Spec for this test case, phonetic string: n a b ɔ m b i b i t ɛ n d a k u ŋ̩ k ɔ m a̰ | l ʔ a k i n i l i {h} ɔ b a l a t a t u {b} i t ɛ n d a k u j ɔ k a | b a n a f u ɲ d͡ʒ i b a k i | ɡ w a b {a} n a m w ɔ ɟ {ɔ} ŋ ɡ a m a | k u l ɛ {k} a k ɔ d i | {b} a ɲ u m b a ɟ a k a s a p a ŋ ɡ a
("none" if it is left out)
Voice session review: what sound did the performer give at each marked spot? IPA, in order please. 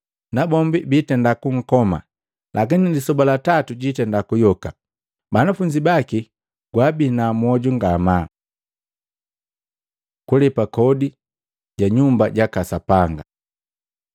s, ɟ, i, u, p, ɟ

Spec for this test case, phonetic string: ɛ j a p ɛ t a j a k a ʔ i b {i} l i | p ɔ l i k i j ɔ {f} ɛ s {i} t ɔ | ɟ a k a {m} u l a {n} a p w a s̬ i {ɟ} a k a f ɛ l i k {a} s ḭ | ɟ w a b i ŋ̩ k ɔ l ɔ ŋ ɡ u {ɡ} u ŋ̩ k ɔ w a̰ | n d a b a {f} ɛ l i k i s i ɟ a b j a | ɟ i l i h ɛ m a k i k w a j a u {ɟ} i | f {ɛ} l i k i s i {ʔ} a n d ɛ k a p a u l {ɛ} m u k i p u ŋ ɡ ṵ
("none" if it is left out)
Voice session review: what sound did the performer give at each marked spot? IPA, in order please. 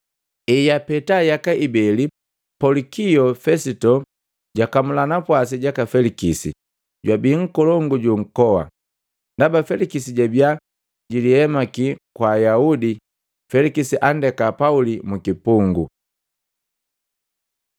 ɛ, f, i, m, n, ɟ, i, ɟ, f, d, ɛ, ʔ, i

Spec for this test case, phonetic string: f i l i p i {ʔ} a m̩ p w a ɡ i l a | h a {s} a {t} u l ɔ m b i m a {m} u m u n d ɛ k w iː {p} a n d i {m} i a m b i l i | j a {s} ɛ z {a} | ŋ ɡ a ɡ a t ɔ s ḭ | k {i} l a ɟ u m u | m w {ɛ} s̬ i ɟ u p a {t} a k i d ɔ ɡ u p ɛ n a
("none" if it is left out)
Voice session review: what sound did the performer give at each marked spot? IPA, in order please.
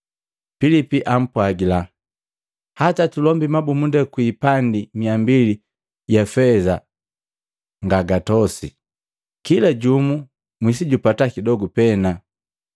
ʔ, t, t, b, p, m, f, a, i, i, t

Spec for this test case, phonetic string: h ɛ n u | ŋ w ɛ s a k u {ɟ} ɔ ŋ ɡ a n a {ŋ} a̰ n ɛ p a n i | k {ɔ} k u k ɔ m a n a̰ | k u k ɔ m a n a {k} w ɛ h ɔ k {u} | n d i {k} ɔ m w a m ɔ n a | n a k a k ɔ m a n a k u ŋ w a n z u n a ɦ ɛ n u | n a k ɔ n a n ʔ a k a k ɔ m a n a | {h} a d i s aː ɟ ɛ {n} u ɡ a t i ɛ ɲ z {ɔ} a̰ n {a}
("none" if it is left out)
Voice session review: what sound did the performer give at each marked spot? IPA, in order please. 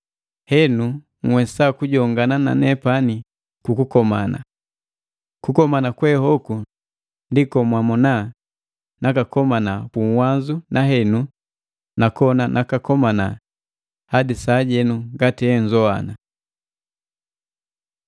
ɟ, n, u, k, u, k, h, n, ɔ, a

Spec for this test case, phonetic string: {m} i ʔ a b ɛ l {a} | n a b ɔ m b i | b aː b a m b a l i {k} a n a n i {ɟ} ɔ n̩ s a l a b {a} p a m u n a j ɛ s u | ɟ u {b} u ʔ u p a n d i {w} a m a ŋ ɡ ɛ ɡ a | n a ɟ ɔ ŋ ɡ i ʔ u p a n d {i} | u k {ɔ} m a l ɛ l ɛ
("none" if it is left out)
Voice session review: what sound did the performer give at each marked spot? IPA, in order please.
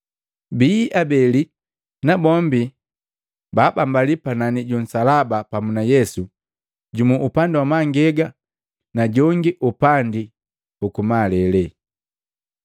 b, i, p, ɟ, a, m, w, i, u

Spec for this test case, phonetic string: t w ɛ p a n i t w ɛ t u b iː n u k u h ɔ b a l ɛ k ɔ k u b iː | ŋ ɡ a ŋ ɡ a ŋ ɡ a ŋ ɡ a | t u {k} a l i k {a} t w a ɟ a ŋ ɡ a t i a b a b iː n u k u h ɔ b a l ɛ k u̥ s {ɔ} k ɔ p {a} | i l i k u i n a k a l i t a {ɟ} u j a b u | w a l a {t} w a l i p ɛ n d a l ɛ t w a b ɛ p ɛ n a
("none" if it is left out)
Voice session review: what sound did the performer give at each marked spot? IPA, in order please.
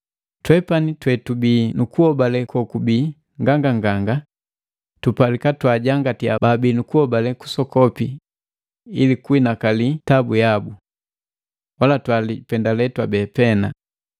p, a, ɔ, i, b, t

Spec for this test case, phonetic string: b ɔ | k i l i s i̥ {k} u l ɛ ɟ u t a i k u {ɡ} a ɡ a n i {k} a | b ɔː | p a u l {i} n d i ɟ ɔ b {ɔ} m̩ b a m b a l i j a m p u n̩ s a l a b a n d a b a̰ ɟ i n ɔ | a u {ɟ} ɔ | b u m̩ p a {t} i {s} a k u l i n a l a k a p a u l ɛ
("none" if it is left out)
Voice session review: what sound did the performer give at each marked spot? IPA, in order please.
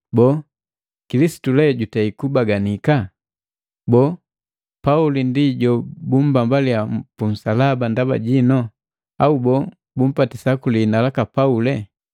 t, b, k, i, u, b, t, s

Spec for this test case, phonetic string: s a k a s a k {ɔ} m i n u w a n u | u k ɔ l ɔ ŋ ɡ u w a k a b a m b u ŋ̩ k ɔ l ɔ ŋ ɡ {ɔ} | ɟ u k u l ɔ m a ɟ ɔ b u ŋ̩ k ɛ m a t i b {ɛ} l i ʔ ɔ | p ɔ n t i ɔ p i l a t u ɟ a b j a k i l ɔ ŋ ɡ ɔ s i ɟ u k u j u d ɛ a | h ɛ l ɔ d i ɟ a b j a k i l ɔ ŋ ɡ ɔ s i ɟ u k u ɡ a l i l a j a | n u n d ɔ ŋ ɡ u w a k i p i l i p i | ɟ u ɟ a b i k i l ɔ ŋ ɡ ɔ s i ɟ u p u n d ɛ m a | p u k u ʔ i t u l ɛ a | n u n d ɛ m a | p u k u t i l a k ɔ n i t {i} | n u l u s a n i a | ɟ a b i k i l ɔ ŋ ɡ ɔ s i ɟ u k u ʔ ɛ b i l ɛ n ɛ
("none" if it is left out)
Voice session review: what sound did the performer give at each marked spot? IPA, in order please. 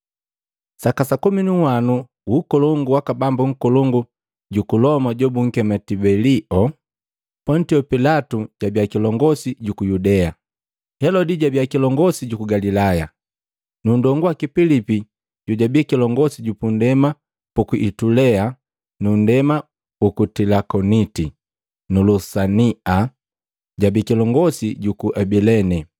u, u, ɛ, i

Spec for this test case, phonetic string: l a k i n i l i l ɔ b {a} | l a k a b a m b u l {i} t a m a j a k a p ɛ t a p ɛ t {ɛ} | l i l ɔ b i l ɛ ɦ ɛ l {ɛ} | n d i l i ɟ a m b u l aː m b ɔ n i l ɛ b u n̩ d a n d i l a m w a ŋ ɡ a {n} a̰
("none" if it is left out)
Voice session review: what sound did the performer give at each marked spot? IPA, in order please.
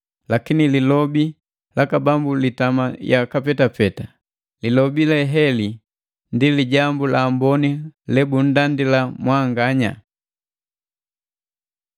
i, i, a, i, ɲ

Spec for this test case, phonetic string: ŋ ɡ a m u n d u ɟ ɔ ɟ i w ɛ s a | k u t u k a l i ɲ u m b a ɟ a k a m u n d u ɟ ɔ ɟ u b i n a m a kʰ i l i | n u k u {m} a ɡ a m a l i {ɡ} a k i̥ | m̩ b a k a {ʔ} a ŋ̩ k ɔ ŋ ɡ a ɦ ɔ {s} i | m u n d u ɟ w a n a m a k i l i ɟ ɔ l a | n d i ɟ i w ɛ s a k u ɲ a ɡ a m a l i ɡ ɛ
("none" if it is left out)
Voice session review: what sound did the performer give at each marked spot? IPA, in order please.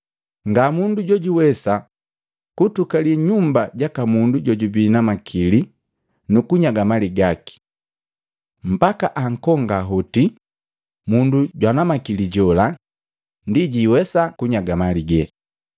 ɲ, ɡ, ʔ, t

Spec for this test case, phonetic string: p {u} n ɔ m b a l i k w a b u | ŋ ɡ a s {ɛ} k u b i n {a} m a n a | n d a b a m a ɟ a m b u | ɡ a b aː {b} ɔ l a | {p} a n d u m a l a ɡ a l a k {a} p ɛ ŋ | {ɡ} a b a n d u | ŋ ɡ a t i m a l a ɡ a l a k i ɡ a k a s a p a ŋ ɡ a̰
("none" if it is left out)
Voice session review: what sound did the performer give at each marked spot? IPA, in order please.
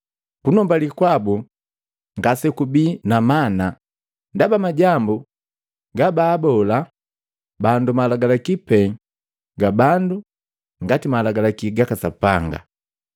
u, ɛ, a, b, b, i, ɡ

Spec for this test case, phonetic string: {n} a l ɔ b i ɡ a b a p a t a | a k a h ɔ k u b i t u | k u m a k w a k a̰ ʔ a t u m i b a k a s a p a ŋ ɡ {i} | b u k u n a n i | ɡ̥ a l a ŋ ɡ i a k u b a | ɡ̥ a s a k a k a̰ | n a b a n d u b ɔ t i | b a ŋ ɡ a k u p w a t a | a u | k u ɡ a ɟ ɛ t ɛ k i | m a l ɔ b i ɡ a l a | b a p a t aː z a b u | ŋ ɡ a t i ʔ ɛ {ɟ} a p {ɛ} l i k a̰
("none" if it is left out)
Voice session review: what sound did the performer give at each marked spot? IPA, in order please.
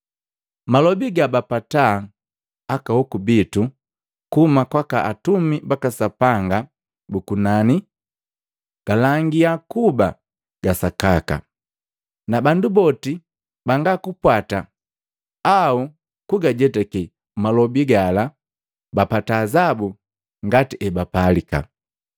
m, a, b, a

